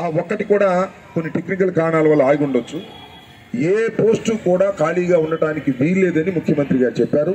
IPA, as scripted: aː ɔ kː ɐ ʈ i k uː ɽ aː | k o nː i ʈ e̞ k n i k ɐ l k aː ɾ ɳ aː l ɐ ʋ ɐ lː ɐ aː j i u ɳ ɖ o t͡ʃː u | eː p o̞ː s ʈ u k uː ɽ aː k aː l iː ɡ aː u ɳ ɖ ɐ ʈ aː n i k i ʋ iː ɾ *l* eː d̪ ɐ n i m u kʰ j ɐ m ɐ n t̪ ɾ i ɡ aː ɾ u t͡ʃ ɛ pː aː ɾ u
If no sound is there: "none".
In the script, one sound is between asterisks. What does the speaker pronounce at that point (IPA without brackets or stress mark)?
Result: l